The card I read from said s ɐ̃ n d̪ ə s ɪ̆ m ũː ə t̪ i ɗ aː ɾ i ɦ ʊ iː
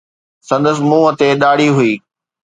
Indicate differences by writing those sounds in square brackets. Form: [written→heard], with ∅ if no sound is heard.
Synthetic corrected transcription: s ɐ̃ n d̪ ə s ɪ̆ m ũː ə t̪ [i→e] ɗ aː [ɾ→ɽ] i ɦ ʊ iː